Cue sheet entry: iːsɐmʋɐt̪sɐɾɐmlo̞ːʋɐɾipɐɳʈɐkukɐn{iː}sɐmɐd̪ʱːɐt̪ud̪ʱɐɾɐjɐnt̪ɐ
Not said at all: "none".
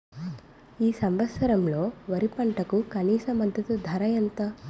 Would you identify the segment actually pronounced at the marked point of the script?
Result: iː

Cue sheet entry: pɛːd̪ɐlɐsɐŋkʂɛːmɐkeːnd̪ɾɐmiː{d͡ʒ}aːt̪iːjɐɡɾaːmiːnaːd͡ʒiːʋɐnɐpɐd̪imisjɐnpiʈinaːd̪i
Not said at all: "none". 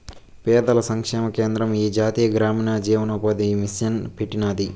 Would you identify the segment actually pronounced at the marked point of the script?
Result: d͡ʒ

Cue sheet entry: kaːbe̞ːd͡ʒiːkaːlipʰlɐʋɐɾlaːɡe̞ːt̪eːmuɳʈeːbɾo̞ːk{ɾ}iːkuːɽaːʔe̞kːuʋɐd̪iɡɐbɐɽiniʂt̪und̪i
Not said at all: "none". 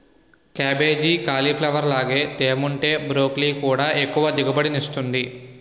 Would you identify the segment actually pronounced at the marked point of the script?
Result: l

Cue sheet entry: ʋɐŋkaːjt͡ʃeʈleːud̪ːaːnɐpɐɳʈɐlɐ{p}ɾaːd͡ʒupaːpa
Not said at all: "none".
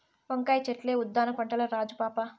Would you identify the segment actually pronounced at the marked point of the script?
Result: none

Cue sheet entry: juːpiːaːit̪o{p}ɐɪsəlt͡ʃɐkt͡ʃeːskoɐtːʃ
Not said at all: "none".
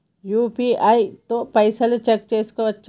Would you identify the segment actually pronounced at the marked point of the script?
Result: p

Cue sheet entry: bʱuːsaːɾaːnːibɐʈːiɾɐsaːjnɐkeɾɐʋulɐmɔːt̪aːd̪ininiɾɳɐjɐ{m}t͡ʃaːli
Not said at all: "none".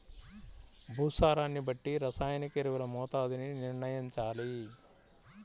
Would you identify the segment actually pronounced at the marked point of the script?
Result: ɲ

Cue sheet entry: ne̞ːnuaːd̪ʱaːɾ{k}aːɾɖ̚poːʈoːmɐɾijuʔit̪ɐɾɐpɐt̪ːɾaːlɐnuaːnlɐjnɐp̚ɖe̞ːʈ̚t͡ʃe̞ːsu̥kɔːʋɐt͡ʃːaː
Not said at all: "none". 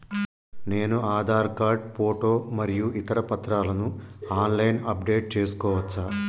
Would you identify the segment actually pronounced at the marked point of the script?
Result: k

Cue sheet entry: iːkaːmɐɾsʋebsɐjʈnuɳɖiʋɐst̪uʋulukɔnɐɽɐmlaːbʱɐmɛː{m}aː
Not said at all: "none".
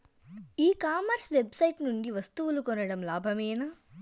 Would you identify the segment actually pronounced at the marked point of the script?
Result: n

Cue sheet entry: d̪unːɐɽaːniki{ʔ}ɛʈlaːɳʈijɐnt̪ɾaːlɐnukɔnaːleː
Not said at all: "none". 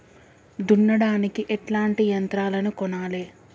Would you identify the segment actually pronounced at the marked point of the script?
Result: ʔ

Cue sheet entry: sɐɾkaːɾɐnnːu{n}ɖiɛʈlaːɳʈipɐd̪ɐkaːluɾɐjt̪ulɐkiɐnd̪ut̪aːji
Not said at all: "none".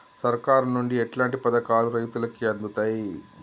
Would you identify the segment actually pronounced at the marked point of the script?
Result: ɳ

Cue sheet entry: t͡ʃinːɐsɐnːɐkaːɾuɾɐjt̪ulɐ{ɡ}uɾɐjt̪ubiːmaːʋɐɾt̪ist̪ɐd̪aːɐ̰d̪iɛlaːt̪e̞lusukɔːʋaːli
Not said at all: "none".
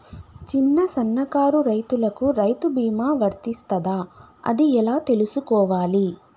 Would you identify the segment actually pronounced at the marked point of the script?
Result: k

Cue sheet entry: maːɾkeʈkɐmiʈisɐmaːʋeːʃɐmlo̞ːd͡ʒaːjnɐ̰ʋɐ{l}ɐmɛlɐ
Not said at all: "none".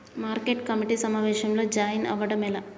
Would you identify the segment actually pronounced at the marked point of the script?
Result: ɽ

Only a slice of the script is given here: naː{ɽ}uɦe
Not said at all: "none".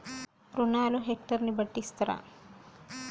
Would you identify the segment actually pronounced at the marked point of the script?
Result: l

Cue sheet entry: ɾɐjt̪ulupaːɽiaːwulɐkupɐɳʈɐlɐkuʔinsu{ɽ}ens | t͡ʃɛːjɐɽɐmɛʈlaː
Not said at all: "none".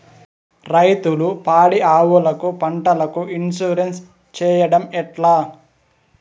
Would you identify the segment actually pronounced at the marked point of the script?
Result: ɾ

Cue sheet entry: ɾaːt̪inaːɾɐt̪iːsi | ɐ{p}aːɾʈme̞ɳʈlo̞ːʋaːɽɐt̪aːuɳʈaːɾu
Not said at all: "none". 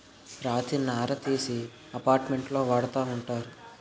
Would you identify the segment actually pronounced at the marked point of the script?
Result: p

